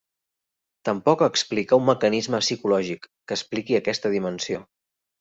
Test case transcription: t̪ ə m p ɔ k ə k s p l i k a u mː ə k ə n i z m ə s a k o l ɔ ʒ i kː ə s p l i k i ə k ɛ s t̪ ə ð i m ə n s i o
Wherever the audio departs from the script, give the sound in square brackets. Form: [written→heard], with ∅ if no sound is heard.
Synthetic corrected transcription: t̪ ə m p ɔ k ə k s p l i k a u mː ə k ə n i z m ə s [a→i] k [o→u] l ɔ ʒ i kː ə s p l i k i ə k ɛ s t̪ ə ð i m ə n s i o